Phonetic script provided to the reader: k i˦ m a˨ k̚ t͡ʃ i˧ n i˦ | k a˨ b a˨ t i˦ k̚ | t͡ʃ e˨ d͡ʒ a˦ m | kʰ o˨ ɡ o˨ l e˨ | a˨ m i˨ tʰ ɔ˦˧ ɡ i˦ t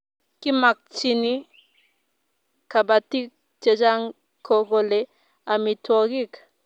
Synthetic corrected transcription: k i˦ m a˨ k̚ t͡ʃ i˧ n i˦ | k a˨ b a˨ t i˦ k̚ | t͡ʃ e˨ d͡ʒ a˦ ŋ | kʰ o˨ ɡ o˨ l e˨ | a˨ m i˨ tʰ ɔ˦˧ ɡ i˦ k